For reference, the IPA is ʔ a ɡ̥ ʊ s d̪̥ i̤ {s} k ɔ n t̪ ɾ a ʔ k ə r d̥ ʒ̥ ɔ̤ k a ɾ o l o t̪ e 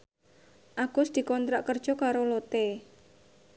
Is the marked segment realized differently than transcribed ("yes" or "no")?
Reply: yes